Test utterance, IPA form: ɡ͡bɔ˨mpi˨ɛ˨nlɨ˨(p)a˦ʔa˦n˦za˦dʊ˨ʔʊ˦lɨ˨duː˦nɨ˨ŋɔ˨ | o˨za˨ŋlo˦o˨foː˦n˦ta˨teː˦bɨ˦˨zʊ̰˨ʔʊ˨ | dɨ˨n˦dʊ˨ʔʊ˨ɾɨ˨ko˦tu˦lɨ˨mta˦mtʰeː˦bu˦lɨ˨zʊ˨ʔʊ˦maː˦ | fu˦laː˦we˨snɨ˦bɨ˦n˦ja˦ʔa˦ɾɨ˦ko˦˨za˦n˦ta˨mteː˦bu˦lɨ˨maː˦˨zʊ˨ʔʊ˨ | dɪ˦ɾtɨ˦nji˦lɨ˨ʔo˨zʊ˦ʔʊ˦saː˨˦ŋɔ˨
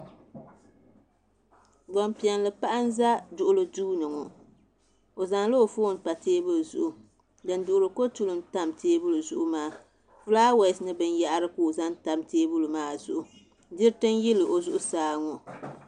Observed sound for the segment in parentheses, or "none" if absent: p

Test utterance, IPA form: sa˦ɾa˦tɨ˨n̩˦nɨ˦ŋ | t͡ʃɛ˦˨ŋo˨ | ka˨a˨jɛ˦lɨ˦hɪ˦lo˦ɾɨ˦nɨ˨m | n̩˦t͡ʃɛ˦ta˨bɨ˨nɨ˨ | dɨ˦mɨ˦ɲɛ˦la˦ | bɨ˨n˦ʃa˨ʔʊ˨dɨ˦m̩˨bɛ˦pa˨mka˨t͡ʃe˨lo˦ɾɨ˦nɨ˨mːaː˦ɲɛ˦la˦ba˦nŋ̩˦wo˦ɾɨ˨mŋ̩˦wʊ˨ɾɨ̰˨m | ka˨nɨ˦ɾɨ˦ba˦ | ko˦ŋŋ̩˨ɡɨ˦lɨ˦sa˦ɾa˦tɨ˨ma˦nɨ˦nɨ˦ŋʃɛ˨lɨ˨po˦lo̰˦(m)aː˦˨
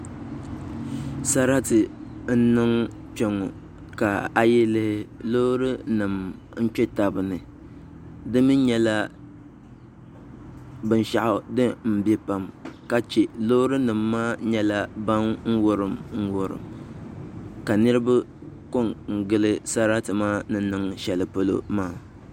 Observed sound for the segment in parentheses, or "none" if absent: m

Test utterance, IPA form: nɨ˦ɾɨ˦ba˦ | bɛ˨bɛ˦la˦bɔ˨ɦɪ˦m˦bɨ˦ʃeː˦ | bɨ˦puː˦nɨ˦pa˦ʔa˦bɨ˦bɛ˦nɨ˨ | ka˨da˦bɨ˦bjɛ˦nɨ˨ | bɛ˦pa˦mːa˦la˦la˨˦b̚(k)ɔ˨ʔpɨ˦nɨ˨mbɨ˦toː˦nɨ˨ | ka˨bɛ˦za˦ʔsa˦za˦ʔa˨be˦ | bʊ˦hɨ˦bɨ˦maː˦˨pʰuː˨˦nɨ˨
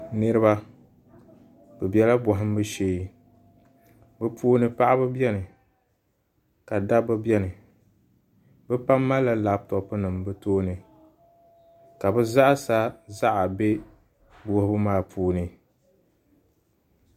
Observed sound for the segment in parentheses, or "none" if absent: t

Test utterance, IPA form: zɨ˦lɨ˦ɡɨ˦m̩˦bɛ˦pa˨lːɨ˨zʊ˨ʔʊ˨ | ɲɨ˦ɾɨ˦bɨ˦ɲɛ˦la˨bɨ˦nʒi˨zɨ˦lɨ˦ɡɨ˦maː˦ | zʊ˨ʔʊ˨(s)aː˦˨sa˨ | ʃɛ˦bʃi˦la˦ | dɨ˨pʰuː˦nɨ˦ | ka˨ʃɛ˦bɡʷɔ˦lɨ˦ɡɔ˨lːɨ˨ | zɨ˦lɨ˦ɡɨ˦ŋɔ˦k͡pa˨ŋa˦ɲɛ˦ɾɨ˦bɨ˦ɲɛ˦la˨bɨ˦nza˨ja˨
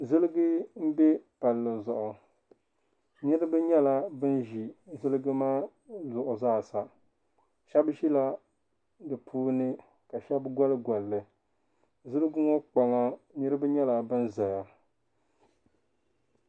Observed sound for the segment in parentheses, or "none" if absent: z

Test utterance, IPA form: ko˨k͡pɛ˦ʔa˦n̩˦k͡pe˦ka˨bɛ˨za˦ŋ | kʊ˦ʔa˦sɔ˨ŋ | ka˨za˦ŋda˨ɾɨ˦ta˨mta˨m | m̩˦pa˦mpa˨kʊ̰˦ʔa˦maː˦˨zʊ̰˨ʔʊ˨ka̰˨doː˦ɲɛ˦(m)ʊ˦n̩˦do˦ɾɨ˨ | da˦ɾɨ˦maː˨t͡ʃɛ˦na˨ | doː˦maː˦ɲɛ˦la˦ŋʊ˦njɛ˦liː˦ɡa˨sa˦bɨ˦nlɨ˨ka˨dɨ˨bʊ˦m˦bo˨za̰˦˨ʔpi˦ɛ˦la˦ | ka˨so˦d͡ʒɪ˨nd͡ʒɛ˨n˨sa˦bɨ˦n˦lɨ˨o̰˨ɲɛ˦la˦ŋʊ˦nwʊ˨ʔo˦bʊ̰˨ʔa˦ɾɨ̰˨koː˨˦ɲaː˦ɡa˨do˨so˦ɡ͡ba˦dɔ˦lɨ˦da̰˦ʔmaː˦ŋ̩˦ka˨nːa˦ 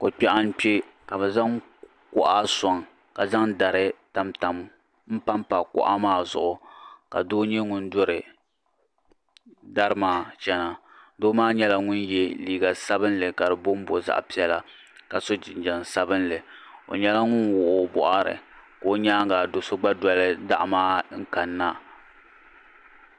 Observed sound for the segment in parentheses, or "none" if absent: ŋ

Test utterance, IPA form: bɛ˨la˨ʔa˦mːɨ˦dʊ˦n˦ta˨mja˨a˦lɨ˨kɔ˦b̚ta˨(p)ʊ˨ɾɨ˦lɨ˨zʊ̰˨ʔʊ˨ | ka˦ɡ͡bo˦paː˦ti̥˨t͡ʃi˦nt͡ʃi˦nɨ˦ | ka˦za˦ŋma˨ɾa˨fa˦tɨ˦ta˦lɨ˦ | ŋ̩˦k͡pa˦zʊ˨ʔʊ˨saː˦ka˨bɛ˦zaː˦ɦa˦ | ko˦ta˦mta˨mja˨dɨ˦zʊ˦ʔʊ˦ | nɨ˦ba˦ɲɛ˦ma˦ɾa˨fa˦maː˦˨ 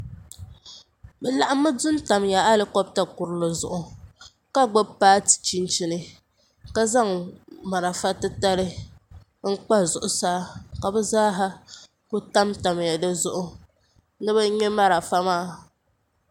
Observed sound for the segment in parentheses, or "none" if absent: k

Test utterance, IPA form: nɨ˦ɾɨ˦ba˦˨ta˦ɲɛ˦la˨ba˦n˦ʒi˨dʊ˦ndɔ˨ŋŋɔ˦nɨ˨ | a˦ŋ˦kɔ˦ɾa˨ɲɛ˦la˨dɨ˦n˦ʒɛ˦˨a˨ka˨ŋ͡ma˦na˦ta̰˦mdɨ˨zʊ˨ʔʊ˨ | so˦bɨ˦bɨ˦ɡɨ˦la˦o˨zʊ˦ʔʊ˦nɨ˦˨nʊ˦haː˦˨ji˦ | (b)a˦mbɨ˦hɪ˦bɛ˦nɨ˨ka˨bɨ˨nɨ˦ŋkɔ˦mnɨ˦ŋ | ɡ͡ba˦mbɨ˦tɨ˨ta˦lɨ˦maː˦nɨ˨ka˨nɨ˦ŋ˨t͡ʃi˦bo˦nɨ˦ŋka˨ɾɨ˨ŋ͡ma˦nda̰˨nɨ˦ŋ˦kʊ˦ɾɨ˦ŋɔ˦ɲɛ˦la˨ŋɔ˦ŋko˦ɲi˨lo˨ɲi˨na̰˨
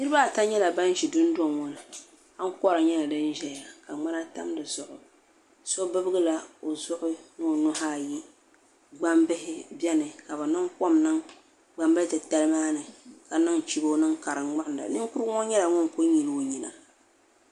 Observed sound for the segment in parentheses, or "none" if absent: ɡ͡b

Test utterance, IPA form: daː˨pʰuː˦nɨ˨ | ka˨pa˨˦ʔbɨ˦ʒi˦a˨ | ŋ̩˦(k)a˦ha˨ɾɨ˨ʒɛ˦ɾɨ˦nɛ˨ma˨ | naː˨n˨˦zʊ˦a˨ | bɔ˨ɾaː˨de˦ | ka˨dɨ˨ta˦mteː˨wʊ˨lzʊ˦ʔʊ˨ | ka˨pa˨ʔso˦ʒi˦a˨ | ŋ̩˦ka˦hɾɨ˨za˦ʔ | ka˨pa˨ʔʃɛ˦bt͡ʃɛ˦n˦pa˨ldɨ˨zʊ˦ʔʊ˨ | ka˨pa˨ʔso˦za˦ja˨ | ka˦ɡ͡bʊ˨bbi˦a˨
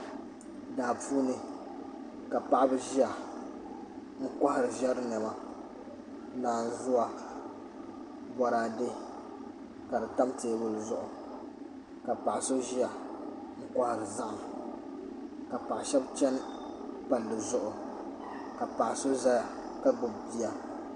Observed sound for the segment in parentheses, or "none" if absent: k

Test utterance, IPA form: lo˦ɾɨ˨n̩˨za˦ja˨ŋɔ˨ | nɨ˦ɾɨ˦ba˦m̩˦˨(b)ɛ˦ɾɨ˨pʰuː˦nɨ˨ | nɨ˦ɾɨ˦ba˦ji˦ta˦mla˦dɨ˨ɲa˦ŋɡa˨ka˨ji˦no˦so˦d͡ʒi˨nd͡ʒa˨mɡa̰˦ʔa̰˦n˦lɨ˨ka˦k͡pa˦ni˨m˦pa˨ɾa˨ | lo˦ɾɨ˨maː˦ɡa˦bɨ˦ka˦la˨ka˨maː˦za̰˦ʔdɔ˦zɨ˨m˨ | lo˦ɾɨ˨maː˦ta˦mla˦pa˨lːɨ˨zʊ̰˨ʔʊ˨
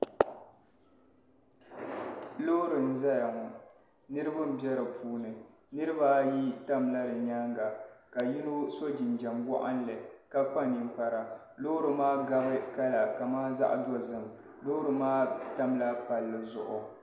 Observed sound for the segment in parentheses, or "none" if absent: b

